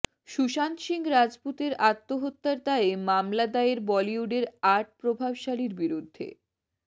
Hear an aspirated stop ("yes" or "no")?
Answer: no